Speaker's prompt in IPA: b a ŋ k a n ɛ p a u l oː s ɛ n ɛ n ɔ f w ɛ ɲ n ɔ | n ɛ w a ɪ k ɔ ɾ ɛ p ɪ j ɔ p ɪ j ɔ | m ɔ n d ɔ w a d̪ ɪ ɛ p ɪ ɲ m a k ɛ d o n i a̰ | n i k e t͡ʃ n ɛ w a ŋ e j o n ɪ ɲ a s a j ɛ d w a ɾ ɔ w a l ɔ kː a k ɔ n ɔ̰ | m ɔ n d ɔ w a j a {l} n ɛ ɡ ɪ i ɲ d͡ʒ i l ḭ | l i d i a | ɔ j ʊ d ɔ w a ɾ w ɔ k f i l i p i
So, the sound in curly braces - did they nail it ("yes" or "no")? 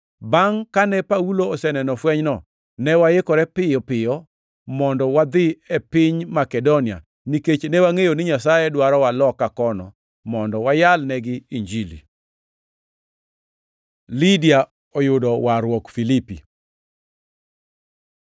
yes